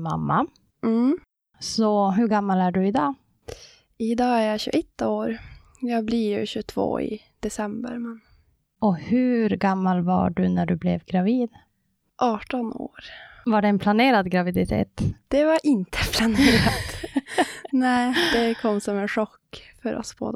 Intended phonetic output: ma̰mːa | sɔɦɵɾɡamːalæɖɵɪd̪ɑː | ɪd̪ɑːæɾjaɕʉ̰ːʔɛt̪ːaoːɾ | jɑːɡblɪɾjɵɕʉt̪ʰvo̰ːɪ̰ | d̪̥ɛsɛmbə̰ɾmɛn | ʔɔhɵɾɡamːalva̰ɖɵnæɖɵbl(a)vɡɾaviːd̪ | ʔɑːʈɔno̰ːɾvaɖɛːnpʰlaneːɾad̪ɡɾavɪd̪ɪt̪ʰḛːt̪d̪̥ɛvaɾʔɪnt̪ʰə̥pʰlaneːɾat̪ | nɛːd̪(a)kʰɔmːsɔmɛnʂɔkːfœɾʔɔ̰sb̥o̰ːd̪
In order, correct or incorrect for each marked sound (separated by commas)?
incorrect, incorrect